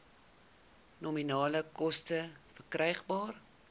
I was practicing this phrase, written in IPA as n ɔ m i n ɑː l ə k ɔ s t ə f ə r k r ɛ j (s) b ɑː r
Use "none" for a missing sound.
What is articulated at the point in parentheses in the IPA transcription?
χ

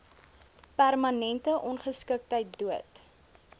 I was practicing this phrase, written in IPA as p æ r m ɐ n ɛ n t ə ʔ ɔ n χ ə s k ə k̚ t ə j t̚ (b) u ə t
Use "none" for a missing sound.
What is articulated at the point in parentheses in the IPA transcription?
d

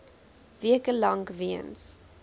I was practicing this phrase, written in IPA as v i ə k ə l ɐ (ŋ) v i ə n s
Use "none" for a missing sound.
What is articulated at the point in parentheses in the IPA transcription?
ŋ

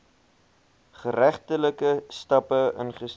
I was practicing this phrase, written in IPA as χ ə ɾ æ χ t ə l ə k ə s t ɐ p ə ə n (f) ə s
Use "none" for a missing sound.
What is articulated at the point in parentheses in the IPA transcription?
χ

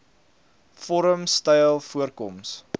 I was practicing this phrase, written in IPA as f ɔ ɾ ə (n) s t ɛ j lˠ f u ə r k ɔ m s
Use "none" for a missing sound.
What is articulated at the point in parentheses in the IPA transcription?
m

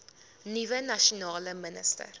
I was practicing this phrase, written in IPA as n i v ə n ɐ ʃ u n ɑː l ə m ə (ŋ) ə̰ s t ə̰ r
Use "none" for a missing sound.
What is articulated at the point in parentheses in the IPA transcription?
n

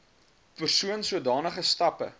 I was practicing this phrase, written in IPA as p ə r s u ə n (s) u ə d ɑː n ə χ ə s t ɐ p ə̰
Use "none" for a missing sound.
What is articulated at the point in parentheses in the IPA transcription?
s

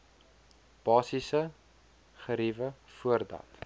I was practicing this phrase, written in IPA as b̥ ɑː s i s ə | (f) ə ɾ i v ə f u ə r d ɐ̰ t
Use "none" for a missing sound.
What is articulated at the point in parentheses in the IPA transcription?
χ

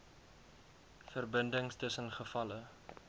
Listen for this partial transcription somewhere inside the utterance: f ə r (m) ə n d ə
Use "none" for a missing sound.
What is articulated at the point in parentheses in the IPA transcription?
b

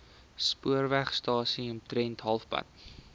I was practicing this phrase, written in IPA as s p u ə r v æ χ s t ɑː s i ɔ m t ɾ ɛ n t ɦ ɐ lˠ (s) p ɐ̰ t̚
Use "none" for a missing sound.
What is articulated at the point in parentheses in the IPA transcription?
f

